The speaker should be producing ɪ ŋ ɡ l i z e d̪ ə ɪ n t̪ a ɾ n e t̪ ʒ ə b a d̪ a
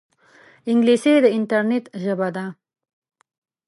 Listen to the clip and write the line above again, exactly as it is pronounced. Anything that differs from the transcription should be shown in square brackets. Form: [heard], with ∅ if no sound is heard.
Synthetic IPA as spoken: ɪ ŋ ɡ l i [s] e d̪ ə ɪ n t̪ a ɾ n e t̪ ʒ ə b a d̪ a